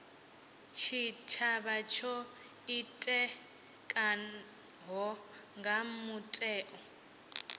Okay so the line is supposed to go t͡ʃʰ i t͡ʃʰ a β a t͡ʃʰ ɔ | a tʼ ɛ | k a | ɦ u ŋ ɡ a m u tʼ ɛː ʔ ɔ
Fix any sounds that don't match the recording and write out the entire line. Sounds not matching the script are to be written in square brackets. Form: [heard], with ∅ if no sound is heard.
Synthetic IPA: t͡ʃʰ i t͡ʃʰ a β a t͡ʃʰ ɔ | [i] tʼ ɛ | [kʼ] a | ɦ [ɔ] ŋ ɡ a m u tʼ ɛː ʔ ɔ